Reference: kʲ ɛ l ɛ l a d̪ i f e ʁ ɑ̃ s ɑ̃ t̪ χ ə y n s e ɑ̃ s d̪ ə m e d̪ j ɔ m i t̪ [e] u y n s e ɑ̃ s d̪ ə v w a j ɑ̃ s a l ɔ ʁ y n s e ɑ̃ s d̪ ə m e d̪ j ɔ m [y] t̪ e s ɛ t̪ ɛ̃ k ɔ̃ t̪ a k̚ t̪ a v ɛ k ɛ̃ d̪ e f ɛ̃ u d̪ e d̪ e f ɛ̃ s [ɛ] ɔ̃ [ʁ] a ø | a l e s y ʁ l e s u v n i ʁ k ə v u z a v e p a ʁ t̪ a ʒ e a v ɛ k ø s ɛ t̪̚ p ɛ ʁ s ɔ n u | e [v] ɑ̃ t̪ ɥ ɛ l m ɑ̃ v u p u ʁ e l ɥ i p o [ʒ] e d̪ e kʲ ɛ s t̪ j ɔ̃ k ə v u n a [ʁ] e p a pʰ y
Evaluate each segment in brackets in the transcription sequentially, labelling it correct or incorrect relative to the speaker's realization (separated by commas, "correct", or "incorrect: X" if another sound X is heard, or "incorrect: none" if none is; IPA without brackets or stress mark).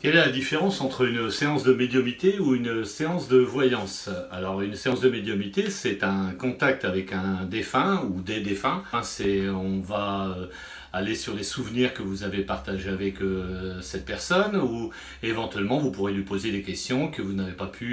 correct, incorrect: i, correct, incorrect: v, correct, incorrect: z, incorrect: v